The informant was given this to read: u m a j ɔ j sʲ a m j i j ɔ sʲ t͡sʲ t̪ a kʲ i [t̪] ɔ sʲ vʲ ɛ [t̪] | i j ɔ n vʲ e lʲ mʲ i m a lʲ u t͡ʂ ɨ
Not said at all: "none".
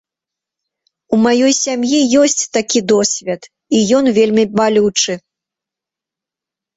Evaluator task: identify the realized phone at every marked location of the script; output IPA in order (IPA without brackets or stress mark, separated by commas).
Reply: d̪, t̪